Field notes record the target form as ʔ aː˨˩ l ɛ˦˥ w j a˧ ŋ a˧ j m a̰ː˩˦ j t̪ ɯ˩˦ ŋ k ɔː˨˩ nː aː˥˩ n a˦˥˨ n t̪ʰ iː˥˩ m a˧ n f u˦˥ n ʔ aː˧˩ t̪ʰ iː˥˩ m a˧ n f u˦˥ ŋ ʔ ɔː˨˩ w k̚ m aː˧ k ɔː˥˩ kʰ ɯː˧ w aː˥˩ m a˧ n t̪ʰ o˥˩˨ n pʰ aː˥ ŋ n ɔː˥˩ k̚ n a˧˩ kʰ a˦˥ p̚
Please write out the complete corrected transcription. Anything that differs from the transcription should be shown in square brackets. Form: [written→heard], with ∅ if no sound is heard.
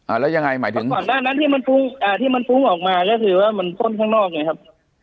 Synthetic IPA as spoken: ʔ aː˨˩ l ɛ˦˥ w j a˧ ŋ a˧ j m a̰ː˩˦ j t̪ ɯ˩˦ ŋ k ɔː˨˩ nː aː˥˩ n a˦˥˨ n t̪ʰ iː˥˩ m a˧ n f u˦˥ [n→ŋ] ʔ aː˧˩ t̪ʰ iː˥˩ m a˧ n f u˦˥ ŋ ʔ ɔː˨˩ [w→∅] k̚ m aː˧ k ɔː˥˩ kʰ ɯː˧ w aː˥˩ m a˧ n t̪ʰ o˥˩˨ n [pʰ→kʰ] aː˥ ŋ n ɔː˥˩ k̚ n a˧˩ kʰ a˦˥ p̚